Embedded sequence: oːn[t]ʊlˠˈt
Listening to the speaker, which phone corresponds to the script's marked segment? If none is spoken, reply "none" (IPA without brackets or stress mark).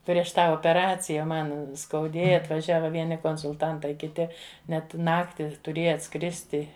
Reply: s